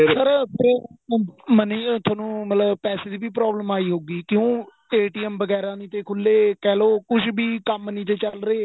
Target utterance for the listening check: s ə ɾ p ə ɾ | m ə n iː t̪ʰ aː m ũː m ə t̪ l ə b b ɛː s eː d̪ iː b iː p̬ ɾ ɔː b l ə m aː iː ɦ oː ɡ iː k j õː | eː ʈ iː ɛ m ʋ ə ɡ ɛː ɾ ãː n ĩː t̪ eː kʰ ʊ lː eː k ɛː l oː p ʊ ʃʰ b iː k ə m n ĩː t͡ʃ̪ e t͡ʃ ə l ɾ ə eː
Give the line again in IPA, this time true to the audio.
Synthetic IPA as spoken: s ə ɾ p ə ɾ | m ə n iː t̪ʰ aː n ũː m ə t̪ l ə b p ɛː s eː d̪ iː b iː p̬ ɾ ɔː b l ə m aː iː ɦ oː ɡ iː k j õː | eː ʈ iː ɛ m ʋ ə ɡ ɛː ɾ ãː n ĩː t̪ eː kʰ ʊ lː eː k ɛː l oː k ʊ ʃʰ b iː k ə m n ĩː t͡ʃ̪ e t͡ʃ ə l ɾ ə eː

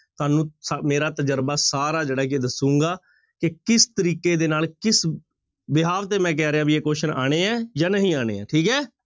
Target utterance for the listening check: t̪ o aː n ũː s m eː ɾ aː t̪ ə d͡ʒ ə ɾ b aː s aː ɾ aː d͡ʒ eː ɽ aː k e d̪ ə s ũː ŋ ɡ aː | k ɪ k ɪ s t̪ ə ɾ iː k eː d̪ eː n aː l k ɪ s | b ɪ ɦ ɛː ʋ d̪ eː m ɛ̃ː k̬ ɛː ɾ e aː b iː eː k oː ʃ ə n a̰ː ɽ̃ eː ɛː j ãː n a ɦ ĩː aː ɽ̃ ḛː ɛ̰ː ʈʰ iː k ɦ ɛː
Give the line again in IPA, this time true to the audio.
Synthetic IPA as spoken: t̪ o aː n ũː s m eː ɾ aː t̪ ə d͡ʒ ə ɾ b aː s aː ɾ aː d͡ʒ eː ɽ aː k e d̪ ə s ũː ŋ ɡ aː | k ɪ k ɪ s t̪ ə ɾ iː k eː d̪ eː n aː l k ɪ s | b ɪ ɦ aː ʋ t̪ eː m ɛ̃ː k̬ ɛː ɾ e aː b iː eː k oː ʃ ə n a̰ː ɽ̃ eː ɛː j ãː n ə ɦ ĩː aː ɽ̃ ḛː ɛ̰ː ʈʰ iː k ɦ ɛː

